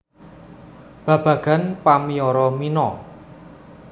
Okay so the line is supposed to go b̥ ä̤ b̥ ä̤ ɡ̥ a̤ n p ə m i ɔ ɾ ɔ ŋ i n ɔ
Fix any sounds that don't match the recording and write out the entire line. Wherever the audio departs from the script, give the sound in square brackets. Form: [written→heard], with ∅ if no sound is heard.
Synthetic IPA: b̥ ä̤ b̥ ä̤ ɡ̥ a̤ n p [ə→a] m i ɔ ɾ ɔ [ŋ→m] i n ɔ